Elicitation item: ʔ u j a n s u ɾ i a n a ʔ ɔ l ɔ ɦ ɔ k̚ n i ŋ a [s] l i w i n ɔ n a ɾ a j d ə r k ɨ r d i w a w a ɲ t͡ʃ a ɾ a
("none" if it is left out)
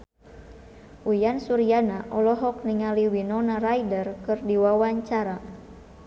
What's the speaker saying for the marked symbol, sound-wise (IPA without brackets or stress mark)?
none